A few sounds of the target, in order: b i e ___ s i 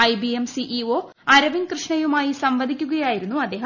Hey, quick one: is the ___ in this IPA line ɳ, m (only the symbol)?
m